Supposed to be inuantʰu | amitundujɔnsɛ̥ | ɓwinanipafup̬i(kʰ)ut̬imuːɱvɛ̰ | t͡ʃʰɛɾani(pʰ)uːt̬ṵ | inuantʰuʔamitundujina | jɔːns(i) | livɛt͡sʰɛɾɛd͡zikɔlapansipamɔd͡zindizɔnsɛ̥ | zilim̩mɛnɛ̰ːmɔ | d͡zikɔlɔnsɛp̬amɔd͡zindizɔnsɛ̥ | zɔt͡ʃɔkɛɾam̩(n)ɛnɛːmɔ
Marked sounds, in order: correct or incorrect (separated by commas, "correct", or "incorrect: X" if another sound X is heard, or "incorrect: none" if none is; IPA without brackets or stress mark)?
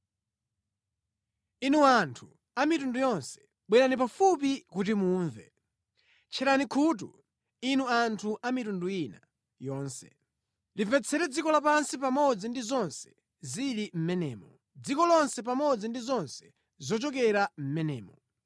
incorrect: k, incorrect: kʰ, incorrect: ɛ, incorrect: m